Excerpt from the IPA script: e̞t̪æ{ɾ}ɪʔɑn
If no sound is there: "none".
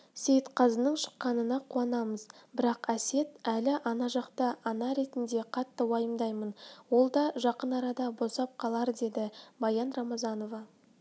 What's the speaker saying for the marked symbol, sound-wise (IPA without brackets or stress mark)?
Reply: l